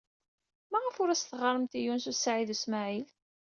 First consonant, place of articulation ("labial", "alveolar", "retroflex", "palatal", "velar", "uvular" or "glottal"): labial